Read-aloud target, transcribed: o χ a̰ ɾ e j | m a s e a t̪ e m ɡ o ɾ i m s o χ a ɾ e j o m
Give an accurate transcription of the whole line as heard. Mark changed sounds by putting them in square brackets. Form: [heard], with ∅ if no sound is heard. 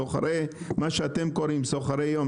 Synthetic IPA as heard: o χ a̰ ɾ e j | m a [ʃ] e a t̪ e m [k] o ɾ i m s o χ a ɾ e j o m

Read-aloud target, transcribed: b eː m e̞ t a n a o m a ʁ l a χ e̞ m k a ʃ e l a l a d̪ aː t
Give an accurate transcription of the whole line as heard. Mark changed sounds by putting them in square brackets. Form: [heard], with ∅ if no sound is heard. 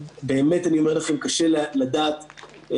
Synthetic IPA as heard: b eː m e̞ t a n [i] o m [e] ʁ l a χ e̞ m k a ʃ e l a l a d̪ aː t

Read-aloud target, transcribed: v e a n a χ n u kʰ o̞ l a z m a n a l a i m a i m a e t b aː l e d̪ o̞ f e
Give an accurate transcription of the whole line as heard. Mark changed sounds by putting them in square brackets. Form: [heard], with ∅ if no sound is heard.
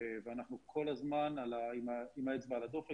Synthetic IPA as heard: v e a n a χ n u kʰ o̞ l a z m a n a l a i m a i m a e [t͡s] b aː l [a] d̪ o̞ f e

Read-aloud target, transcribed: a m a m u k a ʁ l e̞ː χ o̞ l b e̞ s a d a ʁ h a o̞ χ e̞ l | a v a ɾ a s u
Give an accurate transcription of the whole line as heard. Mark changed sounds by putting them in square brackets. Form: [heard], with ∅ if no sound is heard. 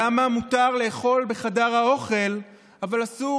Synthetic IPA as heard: a m a m u [t] a ʁ l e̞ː χ o̞ l b e̞ [χ] a d a ʁ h a o̞ χ e̞ l | a v a [l] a s u

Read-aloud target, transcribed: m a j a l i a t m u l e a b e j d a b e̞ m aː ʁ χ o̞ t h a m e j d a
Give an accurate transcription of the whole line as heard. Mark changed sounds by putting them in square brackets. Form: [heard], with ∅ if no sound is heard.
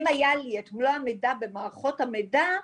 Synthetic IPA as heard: m a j a l i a t m u l [a] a [m] e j d a b e̞ m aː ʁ χ o̞ t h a m e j d a

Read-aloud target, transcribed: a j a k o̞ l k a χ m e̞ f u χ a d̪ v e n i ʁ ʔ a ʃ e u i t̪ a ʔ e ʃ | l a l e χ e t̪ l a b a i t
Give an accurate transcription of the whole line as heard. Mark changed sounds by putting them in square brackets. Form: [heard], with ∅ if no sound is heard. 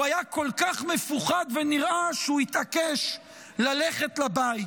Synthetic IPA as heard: a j a k o̞ l k a χ m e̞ f u χ a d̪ v e n i ʁ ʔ a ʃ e u i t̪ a [k] e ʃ | l a l e χ e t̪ l a b a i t

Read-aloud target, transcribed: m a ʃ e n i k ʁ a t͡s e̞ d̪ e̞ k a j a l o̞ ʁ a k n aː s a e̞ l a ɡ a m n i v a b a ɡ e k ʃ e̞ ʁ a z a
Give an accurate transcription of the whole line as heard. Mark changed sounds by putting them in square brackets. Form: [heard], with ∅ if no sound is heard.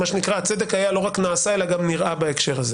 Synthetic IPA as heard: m a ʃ e n i k ʁ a t͡s e̞ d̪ e̞ k a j a l o̞ ʁ a k n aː s a e̞ l a ɡ a m n i [ʁ] a b a [∅] e k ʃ e̞ ʁ a z [e]

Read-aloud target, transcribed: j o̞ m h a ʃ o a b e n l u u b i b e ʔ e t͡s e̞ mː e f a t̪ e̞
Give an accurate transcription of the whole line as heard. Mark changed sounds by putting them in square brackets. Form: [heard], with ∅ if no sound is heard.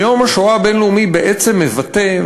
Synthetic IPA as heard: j o̞ m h a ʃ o a b e n l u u [m] i b e ʔ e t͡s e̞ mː e [v] a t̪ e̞

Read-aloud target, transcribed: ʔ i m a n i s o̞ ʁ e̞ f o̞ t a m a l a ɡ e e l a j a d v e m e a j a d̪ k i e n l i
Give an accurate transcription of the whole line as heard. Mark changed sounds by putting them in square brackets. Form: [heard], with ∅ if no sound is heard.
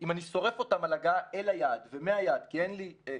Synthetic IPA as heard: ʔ i m a n i s o̞ ʁ e̞ f o̞ t a m a l a ɡ [a] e l a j a d v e m e a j a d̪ k i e n l i

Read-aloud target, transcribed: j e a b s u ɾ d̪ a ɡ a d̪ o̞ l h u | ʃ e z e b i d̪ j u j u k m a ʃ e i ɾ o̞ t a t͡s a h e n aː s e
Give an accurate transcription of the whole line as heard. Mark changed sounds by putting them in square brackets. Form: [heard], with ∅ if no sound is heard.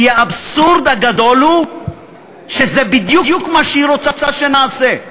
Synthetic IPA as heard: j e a b s u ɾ d̪ a ɡ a d̪ o̞ l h u | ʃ e z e b i d̪ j u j u k m a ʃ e i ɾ o̞ [t͡s] a t͡s a [ʃ] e n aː s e

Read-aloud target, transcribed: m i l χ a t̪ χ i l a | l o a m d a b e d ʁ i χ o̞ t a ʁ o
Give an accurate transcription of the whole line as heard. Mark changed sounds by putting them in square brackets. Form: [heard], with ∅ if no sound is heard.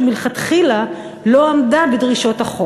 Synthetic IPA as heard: m i l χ a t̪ χ i l a | l o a m d a b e d ʁ i [ʃ] o̞ t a [χ] o

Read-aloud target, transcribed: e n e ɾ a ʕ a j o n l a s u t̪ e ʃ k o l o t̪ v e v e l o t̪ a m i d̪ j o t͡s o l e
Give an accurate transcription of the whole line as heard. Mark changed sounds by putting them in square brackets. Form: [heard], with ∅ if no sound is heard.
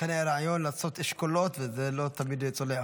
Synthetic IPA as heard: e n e ɾ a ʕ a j o n l a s [o] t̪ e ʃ k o l o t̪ v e [z] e l o t̪ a m i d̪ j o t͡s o l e

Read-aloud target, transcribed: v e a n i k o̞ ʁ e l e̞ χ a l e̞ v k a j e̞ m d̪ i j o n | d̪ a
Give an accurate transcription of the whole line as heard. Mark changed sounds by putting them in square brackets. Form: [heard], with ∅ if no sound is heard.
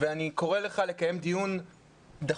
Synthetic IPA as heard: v e a n i k o̞ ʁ e l e̞ χ a l e̞ [∅] k a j e̞ m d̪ i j [u] n | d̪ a

